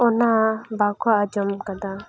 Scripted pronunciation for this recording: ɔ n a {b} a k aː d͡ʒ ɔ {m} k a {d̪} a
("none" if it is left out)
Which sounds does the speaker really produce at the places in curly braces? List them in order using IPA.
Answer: b, m, d̪

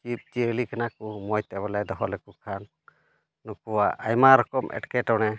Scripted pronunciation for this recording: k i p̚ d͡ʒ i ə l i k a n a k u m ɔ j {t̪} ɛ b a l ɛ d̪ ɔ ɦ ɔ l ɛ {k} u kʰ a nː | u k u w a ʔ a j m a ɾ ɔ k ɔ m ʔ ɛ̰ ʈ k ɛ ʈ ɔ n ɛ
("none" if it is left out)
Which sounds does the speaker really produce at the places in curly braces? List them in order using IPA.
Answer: t̪, k

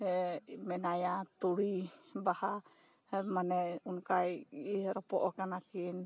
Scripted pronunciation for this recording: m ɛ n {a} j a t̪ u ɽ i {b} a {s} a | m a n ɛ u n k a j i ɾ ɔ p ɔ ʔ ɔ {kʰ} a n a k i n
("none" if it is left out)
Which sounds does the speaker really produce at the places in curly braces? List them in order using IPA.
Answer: a, b, h, k

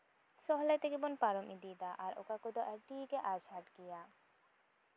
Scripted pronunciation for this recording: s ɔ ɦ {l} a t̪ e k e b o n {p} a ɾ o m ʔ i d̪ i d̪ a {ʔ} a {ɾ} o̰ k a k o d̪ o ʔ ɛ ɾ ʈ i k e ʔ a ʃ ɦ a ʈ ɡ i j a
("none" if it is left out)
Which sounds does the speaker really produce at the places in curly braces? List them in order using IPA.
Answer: l, p, ʔ, ɾ

